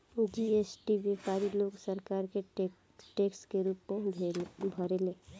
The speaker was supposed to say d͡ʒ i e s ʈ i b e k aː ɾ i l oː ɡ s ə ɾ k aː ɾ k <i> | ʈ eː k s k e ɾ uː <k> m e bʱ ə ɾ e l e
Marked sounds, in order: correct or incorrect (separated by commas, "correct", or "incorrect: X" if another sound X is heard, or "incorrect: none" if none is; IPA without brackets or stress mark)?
incorrect: e, incorrect: p